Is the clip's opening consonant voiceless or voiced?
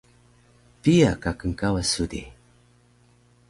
voiceless